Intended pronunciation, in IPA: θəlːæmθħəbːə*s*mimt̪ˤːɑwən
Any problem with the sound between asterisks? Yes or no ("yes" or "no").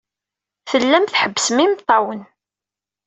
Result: no